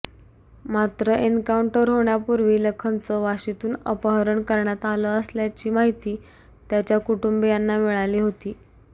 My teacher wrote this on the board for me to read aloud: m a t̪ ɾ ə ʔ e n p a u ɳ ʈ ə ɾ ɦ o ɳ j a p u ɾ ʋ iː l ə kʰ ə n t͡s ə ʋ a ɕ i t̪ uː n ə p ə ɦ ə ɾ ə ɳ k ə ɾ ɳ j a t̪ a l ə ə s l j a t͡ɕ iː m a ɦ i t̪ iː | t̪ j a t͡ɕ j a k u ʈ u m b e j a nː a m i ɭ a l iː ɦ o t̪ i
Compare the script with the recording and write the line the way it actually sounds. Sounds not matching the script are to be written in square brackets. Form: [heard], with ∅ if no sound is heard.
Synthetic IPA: m a t̪ ɾ ə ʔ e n [k] a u ɳ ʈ ə ɾ ɦ o ɳ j a p u ɾ ʋ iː l ə kʰ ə n t͡s ə ʋ a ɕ i t̪ uː n ə p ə ɦ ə ɾ ə ɳ k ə ɾ ɳ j a t̪ a l ə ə s l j a t͡ɕ iː m a ɦ i t̪ iː | t̪ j a t͡ɕ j a k u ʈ u m b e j a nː a m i ɭ a l iː ɦ o t̪ [iː]